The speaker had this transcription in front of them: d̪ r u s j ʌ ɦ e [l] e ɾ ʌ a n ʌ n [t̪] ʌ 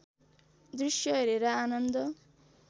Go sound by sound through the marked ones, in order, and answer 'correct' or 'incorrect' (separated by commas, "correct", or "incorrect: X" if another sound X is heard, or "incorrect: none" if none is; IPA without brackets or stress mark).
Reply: incorrect: ɾ, incorrect: d̪